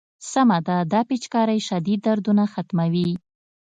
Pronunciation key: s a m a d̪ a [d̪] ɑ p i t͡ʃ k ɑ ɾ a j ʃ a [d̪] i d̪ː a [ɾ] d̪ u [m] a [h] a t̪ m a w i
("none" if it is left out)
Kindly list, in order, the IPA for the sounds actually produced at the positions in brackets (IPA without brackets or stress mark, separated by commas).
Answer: d̪, d̪, ɾ, n, x